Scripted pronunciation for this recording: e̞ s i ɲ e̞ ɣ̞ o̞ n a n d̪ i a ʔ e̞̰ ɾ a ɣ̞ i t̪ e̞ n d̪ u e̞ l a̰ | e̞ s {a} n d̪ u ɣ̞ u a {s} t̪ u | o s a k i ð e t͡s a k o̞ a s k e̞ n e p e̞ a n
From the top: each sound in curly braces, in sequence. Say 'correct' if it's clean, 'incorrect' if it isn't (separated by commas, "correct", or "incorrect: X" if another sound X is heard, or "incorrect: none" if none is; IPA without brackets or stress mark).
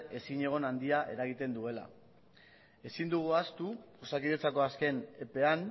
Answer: incorrect: i, correct